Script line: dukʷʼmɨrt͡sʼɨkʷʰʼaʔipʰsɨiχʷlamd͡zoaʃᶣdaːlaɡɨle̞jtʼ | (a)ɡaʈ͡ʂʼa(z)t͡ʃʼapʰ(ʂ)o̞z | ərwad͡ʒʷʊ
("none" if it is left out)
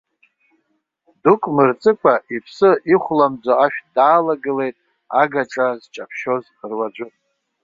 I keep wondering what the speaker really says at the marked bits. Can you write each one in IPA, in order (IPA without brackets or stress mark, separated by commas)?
a, z, ʃ